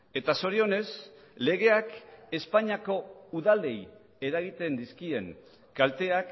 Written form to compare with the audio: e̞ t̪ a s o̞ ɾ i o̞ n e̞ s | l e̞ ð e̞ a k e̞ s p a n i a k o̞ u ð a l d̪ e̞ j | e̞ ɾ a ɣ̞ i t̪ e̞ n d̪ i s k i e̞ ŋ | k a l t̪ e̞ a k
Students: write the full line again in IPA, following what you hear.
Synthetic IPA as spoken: e̞ t̪ a s o̞ ɾ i o̞ n e̞ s | l e̞ ɣ e̞ a k e̞ s p a ɲ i a k o̞ u ð a l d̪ e̞ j | e̞ ɾ a ɣ̞ i t̪ e̞ n d̪ i s k i e̞ ŋ | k a l t̪ e̞ a k